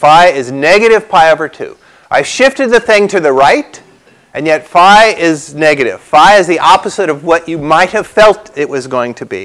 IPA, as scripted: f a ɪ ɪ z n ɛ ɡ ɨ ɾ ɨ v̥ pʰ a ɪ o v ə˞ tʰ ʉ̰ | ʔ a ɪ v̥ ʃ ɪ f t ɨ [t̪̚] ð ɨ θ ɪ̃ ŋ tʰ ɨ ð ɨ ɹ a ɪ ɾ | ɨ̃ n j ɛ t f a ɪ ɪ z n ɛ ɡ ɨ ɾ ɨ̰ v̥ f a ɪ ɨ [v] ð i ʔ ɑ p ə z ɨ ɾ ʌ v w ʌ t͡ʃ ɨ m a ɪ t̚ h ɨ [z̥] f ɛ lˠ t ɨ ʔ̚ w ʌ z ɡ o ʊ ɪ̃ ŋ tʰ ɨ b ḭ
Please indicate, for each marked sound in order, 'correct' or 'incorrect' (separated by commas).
incorrect, incorrect, incorrect